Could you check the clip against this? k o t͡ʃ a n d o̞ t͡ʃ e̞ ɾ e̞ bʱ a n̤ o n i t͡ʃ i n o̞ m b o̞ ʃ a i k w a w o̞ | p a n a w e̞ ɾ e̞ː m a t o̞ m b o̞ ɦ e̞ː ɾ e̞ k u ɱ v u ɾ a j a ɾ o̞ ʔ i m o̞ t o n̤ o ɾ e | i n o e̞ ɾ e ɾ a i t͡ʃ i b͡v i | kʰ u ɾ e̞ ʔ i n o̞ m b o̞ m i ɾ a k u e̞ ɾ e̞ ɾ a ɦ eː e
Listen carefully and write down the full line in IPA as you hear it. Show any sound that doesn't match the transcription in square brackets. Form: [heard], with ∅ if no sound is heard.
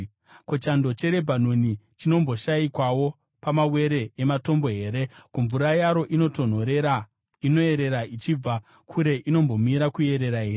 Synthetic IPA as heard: k o t͡ʃ a n d o̞ t͡ʃ e̞ ɾ e̞ bʱ a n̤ o n i t͡ʃ i n o̞ m b o̞ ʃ a i k w a w o̞ | p a [m] a w e̞ ɾ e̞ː m a t o̞ m b o̞ ɦ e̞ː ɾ e̞ k u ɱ v u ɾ a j a ɾ o̞ ʔ i [n] o̞ t o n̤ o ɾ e | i n o e̞ ɾ e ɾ a i t͡ʃ i b͡v [a] | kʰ u ɾ e̞ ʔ i n o̞ m b o̞ m i ɾ a k u e̞ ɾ e̞ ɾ a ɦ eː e